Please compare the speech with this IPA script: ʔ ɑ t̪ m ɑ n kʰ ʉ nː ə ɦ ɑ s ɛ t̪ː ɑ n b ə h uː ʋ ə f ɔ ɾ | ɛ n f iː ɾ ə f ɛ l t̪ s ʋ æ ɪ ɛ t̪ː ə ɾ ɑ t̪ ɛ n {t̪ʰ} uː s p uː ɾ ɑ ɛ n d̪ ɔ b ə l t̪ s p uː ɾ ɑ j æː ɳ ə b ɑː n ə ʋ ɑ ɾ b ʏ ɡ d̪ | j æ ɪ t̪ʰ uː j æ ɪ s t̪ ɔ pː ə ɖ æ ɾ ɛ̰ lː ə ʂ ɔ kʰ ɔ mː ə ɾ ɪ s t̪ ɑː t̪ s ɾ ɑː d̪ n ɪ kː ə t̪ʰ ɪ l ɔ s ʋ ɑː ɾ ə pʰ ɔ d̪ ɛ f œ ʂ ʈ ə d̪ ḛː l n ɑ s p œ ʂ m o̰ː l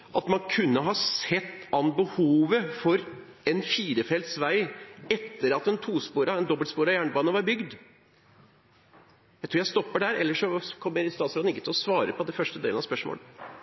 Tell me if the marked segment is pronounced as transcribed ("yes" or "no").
yes